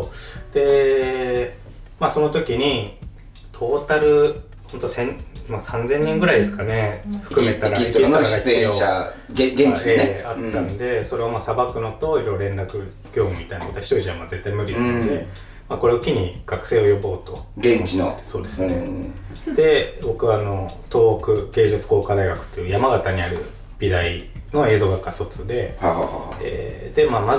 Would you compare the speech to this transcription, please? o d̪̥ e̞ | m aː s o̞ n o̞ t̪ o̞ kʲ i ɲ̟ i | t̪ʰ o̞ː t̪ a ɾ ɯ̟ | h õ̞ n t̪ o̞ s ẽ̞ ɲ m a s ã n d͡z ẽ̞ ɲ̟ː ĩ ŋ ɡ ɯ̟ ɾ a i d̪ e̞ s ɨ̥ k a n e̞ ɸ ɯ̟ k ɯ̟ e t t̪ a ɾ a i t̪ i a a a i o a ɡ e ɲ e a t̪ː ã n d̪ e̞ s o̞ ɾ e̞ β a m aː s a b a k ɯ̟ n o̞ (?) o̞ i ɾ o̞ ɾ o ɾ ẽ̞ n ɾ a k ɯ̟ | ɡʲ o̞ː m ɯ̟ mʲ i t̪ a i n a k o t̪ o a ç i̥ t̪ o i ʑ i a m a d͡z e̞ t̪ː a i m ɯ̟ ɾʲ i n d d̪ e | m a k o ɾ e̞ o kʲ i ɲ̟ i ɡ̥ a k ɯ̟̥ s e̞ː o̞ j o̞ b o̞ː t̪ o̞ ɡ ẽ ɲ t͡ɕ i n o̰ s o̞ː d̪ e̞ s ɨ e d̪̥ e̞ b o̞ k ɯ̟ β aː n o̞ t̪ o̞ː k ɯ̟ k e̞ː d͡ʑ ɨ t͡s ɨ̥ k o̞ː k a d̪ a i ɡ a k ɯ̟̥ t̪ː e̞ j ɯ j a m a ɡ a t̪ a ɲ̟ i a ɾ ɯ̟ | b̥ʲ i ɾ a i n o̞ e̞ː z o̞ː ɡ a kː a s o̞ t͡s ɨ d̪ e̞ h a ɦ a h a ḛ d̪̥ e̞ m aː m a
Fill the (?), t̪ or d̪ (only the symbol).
t̪